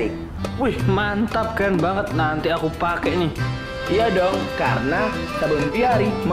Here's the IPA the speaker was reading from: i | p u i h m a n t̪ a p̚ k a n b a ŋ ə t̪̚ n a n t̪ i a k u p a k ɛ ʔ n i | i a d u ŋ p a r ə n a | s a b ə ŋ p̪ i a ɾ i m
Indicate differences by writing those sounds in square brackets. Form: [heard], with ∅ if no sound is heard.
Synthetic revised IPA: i | p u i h m a n t̪ a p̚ k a n b a ŋ ə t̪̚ n a n t̪ i a k u p a k ɛ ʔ n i | i a d [ɔ] ŋ [k] a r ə n a | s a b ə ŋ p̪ i a ɾ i m